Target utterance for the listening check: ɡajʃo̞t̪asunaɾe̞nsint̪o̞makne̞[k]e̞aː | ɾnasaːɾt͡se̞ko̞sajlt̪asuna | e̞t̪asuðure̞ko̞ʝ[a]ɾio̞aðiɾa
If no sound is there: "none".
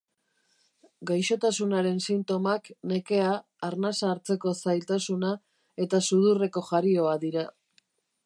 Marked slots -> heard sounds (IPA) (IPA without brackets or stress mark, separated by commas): k, a